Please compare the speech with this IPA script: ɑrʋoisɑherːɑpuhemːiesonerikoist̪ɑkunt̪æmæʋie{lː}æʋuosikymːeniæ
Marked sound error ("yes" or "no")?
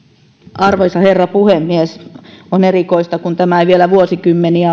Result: yes